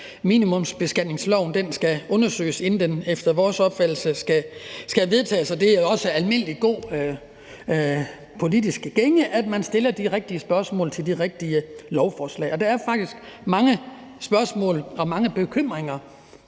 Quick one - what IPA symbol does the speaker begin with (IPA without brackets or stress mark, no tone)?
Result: m